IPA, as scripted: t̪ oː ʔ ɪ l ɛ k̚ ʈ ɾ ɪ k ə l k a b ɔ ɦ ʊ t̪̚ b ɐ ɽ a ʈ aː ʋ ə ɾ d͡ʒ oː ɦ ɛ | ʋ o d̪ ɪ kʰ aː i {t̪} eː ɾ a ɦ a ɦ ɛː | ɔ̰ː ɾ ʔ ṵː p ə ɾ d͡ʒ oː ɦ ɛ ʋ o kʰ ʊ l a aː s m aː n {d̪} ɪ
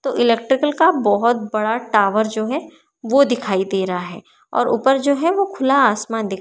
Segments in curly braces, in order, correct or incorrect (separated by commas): incorrect, correct